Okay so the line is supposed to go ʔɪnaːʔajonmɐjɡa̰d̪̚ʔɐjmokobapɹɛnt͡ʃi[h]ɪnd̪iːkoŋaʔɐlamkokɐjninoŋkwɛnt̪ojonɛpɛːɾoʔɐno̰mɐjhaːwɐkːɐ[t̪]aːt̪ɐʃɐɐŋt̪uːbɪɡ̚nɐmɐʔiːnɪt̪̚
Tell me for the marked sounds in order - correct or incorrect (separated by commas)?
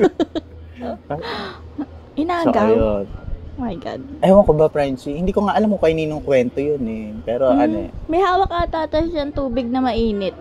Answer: correct, correct